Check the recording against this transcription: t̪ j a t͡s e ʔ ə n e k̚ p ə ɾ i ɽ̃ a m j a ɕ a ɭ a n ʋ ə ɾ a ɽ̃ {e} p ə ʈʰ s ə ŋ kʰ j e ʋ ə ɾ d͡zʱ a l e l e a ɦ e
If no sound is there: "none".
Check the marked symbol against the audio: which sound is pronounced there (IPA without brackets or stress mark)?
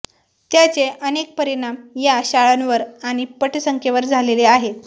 i